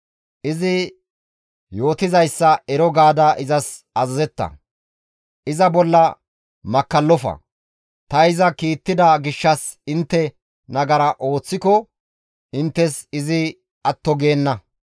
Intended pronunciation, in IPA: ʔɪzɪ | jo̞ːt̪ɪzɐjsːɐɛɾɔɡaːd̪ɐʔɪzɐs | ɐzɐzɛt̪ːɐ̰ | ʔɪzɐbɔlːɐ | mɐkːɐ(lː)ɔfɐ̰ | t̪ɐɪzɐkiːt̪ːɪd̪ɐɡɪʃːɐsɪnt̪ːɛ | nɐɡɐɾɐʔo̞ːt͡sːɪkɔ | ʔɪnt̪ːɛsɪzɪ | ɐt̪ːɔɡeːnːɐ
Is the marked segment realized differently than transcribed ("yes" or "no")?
no